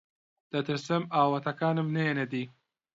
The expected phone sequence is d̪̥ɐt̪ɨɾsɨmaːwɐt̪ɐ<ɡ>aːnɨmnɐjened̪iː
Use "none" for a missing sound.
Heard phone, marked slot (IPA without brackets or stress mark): k